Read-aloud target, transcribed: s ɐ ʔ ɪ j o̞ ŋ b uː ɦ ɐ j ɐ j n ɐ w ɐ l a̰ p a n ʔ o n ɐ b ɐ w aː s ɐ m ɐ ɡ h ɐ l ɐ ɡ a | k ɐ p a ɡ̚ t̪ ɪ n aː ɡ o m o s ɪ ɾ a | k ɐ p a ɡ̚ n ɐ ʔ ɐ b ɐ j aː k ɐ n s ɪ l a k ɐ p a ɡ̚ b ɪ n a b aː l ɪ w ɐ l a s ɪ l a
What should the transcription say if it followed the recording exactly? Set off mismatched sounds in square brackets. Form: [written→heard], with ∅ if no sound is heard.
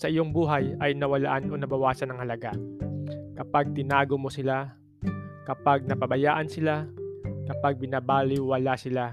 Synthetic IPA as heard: s ɐ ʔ ɪ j o̞ ŋ b uː ɦ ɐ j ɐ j n ɐ w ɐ l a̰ [p→ʔ] a n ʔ o n ɐ b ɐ w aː s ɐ [m→n] ɐ [ɡ→ŋ] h ɐ l ɐ ɡ a | k ɐ p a ɡ̚ t̪ ɪ n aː ɡ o m o s ɪ [ɾ→l] a | k ɐ p a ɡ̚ n ɐ [ʔ→p] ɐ b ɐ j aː [k→ʔ] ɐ n s ɪ l a k ɐ p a ɡ̚ b ɪ n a b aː l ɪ w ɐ l a s ɪ l a